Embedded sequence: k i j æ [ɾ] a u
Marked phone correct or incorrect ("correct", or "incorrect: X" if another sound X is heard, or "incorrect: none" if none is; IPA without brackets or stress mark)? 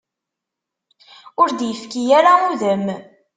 correct